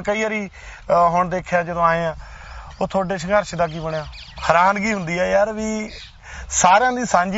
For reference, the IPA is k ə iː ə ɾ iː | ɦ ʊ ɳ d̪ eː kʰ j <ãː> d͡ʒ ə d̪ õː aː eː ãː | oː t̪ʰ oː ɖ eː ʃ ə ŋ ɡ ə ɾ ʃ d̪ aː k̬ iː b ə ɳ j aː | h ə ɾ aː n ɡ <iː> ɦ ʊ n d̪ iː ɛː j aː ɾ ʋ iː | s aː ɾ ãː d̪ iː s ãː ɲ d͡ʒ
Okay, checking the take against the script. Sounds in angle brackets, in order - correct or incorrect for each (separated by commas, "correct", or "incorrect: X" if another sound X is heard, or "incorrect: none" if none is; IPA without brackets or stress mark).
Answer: incorrect: aː, correct